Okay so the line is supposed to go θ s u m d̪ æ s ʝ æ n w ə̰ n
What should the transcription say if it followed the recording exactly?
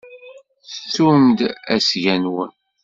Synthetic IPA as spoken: θ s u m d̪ æ s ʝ æ n w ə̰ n